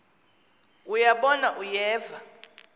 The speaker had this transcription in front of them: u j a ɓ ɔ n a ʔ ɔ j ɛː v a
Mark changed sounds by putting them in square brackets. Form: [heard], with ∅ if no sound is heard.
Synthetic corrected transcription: u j a ɓ ɔ n a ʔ [u] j ɛː v a